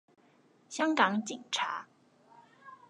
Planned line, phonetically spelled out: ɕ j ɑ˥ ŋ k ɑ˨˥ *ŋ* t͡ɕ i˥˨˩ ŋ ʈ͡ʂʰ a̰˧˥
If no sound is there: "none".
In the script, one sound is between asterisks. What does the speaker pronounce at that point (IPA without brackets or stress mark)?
ŋ